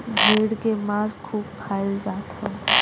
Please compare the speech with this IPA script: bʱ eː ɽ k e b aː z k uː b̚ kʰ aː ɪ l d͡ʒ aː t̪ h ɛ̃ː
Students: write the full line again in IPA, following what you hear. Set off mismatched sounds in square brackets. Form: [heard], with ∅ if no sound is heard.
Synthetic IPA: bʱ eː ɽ k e [m] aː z [kʰ] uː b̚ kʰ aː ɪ l d͡ʒ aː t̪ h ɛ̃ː